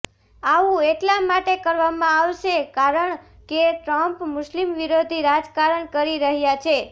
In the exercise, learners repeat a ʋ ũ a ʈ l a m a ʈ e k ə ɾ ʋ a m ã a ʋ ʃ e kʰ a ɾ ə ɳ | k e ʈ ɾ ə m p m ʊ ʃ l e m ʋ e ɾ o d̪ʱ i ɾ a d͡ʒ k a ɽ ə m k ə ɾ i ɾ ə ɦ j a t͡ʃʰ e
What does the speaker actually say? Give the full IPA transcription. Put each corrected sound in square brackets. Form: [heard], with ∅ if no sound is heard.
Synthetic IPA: a ʋ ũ [e] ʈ l a m a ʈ e k ə ɾ ʋ a m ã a ʋ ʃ e [k] a ɾ ə ɳ | k e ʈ ɾ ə m p m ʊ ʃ l [i] m ʋ [i] ɾ o d̪ʱ i ɾ a d͡ʒ k a [ɾ] ə [ɳ] k ə ɾ i ɾ ə ɦ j a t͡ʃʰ e

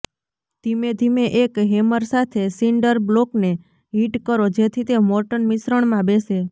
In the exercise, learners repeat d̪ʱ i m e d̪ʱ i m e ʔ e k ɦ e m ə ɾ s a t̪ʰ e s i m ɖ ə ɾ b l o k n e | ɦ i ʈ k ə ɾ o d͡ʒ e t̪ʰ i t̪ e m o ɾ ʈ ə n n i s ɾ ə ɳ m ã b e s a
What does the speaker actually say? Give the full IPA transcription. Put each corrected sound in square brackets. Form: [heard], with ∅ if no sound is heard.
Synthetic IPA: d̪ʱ i m e d̪ʱ i m e ʔ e k ɦ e m ə ɾ s a t̪ʰ e s i [ɳ] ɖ ə ɾ b l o k n e | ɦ i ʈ k ə ɾ o d͡ʒ e t̪ʰ i t̪ e m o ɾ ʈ ə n [m] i s ɾ ə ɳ m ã b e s [e]

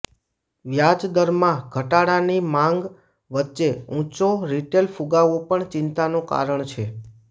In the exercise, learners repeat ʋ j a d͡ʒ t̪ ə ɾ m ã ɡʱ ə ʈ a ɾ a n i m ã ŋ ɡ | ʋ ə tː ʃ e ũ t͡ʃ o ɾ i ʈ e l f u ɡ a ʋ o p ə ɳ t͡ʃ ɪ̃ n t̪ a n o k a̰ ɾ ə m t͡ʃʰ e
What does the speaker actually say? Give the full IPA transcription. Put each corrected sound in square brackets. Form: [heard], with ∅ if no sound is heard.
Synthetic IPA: ʋ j a d͡ʒ [d̪] ə ɾ m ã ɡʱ ə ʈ a [ɽ] a n i m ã ŋ ɡ | ʋ ə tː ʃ e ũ t͡ʃ o ɾ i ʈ e l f u ɡ a ʋ o p ə ɳ t͡ʃ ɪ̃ n t̪ a n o k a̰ ɾ ə [ɳ] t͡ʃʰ e

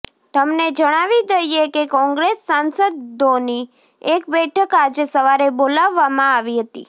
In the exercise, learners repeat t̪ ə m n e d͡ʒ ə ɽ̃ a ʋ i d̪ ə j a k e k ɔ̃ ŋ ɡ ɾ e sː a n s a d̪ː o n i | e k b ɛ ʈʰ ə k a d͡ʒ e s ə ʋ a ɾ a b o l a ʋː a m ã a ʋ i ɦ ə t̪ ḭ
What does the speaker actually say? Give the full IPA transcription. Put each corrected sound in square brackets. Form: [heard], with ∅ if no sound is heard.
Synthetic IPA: t̪ ə m n e d͡ʒ ə ɽ̃ a ʋ i d̪ ə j [e] k e k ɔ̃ ŋ ɡ ɾ e sː a n s [ə] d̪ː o n i | e k b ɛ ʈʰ ə k a d͡ʒ e s ə ʋ a ɾ [e] b o l a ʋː a m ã a ʋ i ɦ ə t̪ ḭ

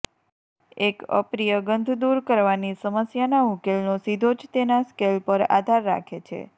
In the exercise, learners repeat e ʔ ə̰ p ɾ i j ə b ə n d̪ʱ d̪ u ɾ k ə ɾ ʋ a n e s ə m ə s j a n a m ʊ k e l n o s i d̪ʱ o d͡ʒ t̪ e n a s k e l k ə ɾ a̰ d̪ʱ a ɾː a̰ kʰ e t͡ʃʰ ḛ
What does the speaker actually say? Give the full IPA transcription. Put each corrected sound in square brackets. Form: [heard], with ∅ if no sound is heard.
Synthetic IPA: e [k] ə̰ p ɾ i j ə [ɡ] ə n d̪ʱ d̪ u ɾ k ə ɾ ʋ a n [i] s ə m ə s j a n a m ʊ k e l n o s i d̪ʱ o d͡ʒ t̪ e n a s k e l [p] ə ɾ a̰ d̪ʱ a ɾː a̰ kʰ e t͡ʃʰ ḛ

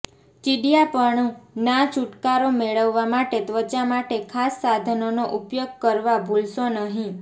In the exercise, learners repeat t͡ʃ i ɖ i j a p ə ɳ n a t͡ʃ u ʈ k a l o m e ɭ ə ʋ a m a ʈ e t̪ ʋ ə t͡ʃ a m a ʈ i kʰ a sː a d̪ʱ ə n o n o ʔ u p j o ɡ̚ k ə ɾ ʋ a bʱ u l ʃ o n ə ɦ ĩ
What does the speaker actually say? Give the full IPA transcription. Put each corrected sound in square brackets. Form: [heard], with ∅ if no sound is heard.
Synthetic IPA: t͡ʃ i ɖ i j a p ə ɳ n a t͡ʃ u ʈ k a [ɾ] o m e ɭ ə [ʋː] a m a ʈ e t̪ ʋ ə t͡ʃ a m a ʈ [e] kʰ a sː a d̪ʱ ə n o n o ʔ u p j o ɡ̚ k ə ɾ ʋ a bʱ u l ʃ o n ə ɦ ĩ

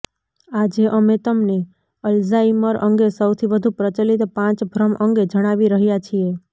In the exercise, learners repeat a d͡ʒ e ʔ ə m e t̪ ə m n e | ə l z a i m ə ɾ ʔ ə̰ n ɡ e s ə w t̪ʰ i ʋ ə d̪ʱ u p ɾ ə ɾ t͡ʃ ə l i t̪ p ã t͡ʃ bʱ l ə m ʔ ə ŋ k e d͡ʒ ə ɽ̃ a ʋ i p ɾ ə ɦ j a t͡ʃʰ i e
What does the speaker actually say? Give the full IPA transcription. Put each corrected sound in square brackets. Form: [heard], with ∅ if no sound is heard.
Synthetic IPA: a d͡ʒ e ʔ ə m e t̪ ə m n e | ə l z a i m ə ɾ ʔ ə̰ [ŋ] ɡ e s ə w t̪ʰ i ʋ ə d̪ʱ u p ɾ ə [∅] t͡ʃ ə l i t̪ p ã t͡ʃ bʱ [ɾ] ə m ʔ ə ŋ [ɡ] e d͡ʒ ə ɽ̃ a ʋ i [∅] ɾ ə ɦ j a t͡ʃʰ i e

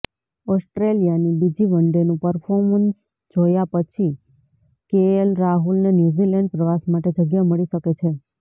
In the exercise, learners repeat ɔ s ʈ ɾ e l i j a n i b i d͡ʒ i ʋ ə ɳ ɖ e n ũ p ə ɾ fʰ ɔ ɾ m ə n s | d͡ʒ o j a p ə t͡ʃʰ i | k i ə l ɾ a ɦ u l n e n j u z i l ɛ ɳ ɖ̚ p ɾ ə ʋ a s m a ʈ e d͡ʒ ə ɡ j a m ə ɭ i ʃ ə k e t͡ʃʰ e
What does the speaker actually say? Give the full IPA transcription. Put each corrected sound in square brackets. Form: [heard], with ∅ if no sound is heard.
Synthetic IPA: ɔ s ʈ ɾ e l i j a n i b i d͡ʒ i ʋ ə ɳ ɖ e n ũ p ə ɾ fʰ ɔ ɾ m ə n s | d͡ʒ o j a p ə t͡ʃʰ i | k [e] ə l ɾ a ɦ u l n e n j u z i l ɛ ɳ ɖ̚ p ɾ ə ʋ a s m a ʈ e d͡ʒ ə ɡ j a m ə ɭ i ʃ ə k e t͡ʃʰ e

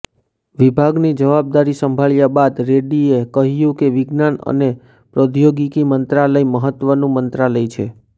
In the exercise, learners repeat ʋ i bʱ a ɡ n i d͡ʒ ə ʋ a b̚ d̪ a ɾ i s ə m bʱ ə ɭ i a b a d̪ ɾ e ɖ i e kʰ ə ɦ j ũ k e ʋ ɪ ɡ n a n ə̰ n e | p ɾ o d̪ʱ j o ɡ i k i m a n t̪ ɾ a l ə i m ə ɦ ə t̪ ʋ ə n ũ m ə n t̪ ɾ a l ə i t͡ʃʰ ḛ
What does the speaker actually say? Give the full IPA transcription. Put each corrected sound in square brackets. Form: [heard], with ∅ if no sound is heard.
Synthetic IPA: ʋ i bʱ a ɡ n i d͡ʒ ə ʋ a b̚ d̪ a ɾ i s ə m bʱ [a] ɭ [j] a b a d̪ ɾ e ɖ i e [k] ə ɦ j ũ k e ʋ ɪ ɡ n a n ə̰ n e | p ɾ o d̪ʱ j o ɡ i k i m [ə] n t̪ ɾ a l ə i m ə ɦ ə t̪ ʋ ə n ũ m ə n t̪ ɾ a l ə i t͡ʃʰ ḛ

